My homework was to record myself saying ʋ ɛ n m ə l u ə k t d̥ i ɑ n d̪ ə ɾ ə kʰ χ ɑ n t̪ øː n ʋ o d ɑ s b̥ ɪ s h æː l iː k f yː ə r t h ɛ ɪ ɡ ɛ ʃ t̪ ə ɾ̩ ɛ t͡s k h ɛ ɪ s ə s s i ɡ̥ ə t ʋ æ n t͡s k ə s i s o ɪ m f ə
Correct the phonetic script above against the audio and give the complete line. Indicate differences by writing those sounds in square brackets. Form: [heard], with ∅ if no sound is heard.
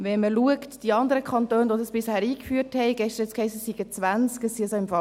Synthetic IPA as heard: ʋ ɛ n m ə l u ə k t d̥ i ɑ n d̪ ə ɾ ə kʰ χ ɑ n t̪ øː n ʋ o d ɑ s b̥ ɪ s h æː [ɾ] iː k f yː ə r t h ɛ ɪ ɡ ɛ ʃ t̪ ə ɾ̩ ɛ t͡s k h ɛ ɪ s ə s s i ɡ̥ ə [t͡s] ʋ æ n t͡s k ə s i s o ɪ m f [ɑ]

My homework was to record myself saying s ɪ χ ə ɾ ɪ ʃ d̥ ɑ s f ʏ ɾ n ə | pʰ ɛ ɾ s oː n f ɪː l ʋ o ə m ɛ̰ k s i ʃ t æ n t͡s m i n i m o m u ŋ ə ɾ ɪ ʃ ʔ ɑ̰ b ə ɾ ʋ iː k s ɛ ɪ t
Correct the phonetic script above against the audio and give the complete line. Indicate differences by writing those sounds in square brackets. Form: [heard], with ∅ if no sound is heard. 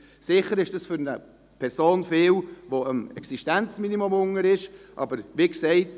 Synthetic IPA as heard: s ɪ χ ə ɾ ɪ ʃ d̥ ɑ s f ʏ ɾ n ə | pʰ ɛ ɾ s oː n f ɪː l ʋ o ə m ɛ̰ k s i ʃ t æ n t͡s m i n i m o m [ʊ] ŋ ə ɾ ɪ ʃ ʔ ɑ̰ b ə ɾ ʋ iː k s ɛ ɪ t

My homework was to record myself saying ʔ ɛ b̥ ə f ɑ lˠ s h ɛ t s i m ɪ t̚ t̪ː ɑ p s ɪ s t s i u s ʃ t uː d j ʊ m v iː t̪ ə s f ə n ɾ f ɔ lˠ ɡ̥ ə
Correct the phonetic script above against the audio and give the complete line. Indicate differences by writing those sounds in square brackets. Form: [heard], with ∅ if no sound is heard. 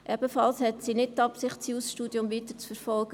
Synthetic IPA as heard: ʔ ɛ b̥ ə f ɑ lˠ s h ɛ t s i [n] ɪ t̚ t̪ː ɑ p s ɪ [χ] t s i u s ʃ t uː d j ʊ m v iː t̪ ə [t͡s] f ə [∅] ɾ f ɔ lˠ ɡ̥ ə

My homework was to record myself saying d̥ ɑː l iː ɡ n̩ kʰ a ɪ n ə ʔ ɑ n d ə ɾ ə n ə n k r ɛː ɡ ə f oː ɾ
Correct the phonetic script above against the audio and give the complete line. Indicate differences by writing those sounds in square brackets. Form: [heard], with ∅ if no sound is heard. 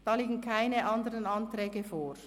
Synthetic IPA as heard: d̥ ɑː l iː ɡ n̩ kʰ a ɪ n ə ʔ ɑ n d ə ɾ ə n [ɑ] n [t] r ɛː ɡ ə f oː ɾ

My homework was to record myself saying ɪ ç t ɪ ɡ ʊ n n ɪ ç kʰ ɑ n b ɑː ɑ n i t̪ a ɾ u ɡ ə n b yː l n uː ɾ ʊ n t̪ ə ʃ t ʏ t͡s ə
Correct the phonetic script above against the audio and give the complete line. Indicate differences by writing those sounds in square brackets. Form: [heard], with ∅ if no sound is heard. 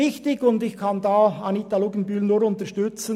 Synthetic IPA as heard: ɪ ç t ɪ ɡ ʊ n [d] ɪ ç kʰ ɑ n [d] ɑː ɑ n i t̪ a [l] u ɡ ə n b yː l n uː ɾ ʊ n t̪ ə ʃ t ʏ t͡s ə

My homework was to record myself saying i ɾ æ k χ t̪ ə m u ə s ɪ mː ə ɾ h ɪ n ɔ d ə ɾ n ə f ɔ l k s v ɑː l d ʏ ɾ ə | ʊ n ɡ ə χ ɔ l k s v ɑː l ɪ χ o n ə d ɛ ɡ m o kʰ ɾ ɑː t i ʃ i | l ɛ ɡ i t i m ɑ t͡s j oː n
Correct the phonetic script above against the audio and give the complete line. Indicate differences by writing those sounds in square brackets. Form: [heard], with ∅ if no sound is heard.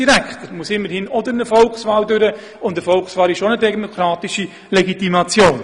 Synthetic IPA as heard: i ɾ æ k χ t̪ ə m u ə s ɪ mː ə ɾ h ɪ n ɔ d ə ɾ n ə f ɔ l k s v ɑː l d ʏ ɾ ə | ʊ n [d] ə [f] ɔ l k s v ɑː l ɪ [ʃ] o n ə d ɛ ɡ m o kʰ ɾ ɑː t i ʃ i | l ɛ ɡ i t i m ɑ t͡s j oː n

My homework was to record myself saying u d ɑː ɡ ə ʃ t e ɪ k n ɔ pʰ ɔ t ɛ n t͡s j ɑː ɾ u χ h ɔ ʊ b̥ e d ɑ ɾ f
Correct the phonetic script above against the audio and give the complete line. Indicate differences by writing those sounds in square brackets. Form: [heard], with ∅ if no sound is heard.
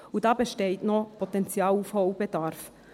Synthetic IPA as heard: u d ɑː [b] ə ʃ t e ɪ [t] n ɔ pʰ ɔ t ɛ n t͡s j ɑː [l] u [f] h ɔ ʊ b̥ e d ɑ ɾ f

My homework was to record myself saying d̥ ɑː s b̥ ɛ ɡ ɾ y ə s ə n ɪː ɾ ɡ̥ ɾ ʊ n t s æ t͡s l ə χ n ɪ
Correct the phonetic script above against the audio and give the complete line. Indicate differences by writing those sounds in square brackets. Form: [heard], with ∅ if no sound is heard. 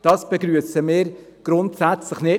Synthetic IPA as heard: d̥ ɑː s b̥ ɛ ɡ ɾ y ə s ə [m] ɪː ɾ ɡ̥ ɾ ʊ n t s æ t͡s l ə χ n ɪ

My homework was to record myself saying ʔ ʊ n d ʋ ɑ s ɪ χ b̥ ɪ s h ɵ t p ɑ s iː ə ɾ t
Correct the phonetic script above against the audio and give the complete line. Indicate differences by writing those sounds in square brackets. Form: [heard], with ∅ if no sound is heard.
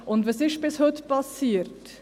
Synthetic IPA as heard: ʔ ʊ n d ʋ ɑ s ɪ [ʃ] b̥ ɪ s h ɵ t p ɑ s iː ə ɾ t

